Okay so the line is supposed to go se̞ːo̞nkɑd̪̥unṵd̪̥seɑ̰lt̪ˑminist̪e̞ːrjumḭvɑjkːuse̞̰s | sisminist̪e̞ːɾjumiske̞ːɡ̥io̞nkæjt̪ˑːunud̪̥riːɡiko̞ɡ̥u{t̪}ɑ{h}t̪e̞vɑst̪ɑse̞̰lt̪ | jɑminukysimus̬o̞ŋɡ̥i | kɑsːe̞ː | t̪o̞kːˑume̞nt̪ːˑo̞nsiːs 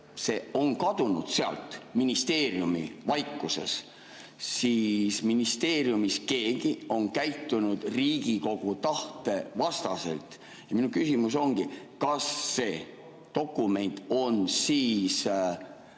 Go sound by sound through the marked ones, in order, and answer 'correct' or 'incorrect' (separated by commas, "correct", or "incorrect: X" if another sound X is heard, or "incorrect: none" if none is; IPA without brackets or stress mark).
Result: correct, correct